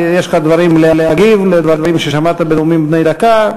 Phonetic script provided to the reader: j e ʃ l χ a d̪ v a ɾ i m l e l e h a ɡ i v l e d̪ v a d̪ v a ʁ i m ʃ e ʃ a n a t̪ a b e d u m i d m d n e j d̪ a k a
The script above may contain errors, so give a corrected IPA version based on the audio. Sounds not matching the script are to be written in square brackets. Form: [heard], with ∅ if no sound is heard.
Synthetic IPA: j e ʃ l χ a d̪ v a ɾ i m l e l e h a ɡ i v l e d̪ v a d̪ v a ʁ i m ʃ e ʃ a [m] a t̪ a b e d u m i [∅] m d n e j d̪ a k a